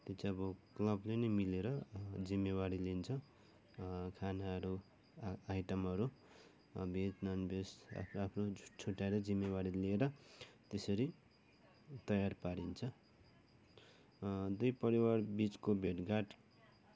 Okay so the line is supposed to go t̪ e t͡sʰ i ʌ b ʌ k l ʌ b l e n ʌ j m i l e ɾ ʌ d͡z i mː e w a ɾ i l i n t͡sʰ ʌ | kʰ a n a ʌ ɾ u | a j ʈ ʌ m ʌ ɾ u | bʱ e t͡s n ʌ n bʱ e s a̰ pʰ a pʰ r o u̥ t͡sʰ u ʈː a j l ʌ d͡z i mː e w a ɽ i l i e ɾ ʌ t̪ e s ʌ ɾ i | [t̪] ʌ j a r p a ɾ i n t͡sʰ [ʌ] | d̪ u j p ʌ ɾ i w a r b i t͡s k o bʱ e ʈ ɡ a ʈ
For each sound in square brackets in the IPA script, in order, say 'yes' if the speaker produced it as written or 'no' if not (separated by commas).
yes, yes